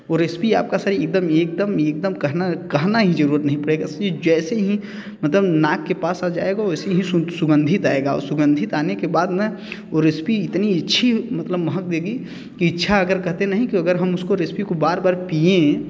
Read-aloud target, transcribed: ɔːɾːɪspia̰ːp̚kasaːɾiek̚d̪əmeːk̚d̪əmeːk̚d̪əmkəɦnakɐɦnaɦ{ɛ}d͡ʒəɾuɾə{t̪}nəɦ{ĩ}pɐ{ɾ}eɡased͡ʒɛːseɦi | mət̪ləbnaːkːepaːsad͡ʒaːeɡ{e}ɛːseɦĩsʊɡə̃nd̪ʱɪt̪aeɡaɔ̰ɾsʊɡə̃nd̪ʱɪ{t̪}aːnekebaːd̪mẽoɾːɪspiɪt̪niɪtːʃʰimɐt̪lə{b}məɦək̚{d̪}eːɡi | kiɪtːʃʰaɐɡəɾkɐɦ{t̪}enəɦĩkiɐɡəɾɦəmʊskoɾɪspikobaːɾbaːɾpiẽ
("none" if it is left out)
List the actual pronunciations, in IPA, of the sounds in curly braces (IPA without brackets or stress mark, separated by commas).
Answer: i, t̪, ĩ, ɽ, a, t̪, b, d̪, t̪